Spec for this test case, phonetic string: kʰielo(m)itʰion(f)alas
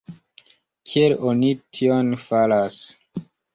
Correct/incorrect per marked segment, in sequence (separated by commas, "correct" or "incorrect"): incorrect, correct